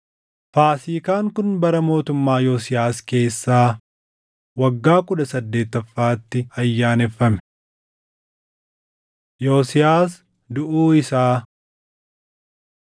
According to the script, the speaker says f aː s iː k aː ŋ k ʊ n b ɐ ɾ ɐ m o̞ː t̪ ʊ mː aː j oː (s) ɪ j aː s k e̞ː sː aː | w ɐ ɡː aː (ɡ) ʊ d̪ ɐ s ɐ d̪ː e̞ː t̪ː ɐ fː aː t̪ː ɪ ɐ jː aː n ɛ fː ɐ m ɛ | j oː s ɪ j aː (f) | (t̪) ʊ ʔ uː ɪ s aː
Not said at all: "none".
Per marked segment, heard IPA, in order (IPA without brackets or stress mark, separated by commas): s, k, s, d̪